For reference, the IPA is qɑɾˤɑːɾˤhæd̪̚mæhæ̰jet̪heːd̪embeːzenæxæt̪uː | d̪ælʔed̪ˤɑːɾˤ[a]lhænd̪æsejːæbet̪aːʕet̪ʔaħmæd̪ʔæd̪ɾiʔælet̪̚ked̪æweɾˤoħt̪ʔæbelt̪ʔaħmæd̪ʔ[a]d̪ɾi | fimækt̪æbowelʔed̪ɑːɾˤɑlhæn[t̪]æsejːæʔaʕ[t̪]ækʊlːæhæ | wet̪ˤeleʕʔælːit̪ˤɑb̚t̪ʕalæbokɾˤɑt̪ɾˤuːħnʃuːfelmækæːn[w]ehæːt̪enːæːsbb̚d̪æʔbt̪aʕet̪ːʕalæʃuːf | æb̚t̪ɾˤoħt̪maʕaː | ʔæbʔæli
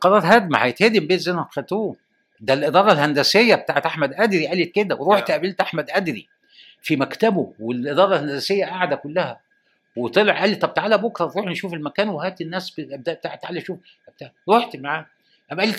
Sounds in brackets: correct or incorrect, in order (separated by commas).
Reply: incorrect, incorrect, incorrect, incorrect, correct